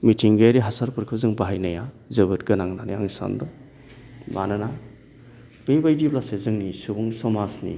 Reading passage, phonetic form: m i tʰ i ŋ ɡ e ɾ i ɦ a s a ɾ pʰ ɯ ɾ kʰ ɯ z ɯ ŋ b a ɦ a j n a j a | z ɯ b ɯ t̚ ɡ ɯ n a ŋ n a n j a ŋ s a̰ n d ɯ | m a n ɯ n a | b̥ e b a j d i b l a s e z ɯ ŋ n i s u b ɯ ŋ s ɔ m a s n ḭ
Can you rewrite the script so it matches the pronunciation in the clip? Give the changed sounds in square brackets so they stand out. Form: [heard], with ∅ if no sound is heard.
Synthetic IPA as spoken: m i tʰ i ŋ ɡ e ɾ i ɦ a s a ɾ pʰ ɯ ɾ kʰ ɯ z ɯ ŋ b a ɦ a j n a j a | z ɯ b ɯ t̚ ɡ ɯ n a ŋ n a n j a ŋ s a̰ n d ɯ | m a n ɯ n a | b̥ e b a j d i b l a s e z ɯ ŋ n i s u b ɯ ŋ s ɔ m a s n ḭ